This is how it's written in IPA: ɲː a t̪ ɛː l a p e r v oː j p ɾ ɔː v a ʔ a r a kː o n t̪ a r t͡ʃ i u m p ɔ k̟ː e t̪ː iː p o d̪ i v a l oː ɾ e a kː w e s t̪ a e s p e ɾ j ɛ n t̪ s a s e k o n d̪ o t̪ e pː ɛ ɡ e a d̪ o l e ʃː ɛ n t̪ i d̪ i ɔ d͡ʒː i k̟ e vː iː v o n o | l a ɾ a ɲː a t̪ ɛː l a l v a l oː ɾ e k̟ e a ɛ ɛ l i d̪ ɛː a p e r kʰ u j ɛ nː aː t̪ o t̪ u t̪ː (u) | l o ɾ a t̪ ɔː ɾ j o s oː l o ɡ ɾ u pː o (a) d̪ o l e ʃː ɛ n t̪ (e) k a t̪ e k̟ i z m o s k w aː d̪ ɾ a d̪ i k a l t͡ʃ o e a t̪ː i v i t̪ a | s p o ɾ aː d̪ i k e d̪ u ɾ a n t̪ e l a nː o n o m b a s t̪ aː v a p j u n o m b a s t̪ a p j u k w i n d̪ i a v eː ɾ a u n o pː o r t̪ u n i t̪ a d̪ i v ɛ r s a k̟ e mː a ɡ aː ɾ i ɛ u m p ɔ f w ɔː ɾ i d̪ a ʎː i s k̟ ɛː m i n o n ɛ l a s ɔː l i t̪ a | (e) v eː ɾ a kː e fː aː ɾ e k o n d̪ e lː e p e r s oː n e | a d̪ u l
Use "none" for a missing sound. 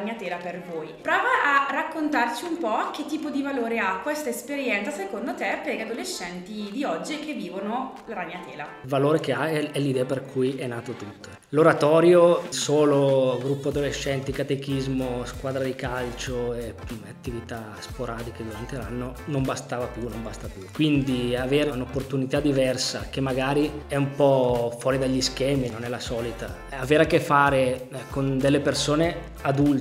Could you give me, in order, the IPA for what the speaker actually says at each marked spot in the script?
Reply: o, a, i, a

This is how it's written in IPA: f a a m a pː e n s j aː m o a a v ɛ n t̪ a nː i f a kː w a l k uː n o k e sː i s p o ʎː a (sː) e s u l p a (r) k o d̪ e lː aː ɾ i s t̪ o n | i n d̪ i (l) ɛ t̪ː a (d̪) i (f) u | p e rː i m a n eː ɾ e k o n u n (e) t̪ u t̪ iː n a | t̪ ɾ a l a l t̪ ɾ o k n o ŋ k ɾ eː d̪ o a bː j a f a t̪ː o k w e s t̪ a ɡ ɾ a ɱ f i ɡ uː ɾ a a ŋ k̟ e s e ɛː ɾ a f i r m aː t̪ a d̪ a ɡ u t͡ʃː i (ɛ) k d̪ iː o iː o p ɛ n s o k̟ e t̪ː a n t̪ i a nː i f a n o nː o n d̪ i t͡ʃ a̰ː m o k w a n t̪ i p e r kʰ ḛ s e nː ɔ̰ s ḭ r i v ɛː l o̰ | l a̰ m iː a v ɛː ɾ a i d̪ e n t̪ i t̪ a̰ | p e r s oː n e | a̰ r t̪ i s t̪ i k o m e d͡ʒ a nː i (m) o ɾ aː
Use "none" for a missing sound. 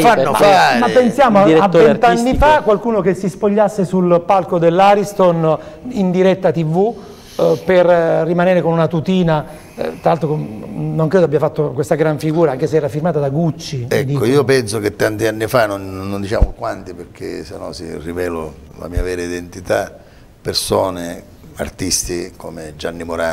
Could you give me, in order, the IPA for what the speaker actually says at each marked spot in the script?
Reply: sː, l, ɾ, t̪, v, a, ɛ, m

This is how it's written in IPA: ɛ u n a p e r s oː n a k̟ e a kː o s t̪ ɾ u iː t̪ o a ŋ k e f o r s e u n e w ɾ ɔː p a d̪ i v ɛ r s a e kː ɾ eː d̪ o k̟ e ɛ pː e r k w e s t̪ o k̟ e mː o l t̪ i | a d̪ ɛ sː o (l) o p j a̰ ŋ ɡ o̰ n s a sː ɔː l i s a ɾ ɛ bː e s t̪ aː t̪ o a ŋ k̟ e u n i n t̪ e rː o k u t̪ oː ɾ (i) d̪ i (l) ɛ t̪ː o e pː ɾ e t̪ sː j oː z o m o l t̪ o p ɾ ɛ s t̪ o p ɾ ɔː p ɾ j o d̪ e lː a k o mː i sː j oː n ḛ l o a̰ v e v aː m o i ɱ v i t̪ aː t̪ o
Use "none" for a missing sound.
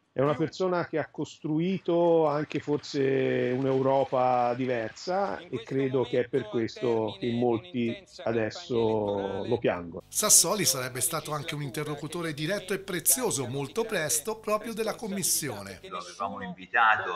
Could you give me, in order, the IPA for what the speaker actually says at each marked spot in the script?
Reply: l, e, ɾ

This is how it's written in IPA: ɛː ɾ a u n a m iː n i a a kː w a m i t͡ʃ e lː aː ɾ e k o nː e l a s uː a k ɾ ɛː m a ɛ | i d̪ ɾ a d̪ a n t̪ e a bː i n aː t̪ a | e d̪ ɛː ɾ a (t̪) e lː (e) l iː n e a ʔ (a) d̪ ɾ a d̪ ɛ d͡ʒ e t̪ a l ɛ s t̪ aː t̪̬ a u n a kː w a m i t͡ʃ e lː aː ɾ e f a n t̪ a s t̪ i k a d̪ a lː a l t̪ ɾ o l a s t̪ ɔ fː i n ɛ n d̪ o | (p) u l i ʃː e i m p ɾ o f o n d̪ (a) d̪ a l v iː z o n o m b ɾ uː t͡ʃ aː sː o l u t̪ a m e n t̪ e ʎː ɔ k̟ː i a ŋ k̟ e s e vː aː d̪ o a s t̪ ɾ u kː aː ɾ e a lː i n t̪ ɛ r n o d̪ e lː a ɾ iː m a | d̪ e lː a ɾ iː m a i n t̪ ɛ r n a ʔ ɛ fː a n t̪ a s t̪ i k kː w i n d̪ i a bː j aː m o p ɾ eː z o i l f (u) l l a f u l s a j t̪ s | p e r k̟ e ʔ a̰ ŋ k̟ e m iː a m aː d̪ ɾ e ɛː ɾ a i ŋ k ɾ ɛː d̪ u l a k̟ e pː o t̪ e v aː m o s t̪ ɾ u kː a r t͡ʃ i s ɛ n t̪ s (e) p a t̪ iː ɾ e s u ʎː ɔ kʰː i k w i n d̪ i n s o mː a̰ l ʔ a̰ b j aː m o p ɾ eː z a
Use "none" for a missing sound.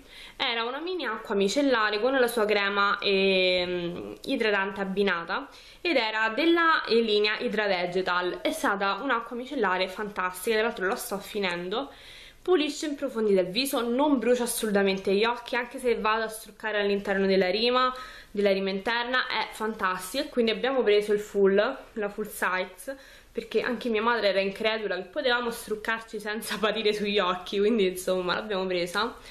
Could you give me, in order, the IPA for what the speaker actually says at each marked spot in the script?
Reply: d̪, a, i, p, i, u, a

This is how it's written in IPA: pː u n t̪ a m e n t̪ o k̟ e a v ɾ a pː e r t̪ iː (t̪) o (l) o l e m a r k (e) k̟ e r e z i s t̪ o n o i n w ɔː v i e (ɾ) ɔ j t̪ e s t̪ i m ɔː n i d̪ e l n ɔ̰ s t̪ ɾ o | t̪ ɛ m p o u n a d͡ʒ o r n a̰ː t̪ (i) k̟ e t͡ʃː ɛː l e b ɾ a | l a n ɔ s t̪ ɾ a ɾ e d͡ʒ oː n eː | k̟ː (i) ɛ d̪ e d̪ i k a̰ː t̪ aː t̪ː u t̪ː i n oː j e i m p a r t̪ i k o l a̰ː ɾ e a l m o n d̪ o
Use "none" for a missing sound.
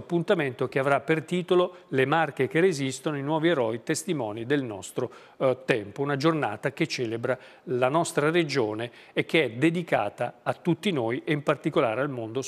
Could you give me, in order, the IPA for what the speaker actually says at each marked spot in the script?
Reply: t̪, l, e, ɾ, a, e

